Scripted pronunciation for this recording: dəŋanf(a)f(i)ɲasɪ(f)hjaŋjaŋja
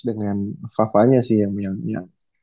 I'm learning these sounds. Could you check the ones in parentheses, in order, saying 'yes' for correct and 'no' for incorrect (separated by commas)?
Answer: yes, no, no